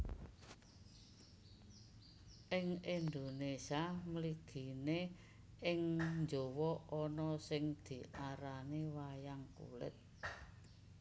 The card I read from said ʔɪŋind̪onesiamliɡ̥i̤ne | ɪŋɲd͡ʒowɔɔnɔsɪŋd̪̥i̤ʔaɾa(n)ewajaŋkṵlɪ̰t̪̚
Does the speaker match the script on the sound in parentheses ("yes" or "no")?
yes